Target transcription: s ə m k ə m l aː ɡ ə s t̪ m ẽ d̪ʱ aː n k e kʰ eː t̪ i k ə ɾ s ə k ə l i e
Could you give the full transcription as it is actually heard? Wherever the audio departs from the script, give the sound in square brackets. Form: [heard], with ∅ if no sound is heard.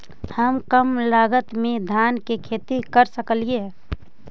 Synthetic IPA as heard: [h] ə m k ə m l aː ɡ ə [∅] t̪ m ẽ d̪ʱ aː n k e kʰ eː t̪ i k ə ɾ s ə k ə l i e